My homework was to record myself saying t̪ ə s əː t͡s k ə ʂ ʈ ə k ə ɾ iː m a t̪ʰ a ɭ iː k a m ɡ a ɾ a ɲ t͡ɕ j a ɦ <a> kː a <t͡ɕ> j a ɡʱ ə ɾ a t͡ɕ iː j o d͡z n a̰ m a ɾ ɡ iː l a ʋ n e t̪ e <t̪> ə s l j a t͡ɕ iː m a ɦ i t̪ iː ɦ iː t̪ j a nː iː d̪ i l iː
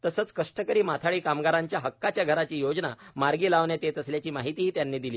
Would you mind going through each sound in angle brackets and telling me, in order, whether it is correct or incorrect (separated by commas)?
incorrect, correct, correct